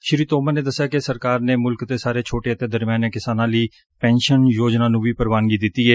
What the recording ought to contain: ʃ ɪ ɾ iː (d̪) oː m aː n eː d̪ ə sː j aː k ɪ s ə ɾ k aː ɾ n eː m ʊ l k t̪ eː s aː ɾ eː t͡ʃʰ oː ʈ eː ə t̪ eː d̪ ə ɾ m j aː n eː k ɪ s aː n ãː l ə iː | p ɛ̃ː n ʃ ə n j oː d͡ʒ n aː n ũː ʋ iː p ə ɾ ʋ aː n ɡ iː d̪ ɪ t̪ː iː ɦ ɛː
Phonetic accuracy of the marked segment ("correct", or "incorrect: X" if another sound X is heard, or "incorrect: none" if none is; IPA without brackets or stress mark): incorrect: t̪